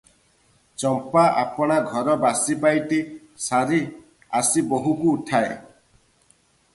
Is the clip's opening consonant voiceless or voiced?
voiceless